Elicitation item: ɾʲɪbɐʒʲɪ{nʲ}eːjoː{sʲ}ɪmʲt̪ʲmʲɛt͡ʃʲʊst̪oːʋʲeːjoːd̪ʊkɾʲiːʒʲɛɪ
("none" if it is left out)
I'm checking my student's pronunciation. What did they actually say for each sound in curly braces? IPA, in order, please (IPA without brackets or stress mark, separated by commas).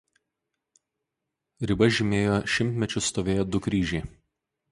mʲ, ʃʲ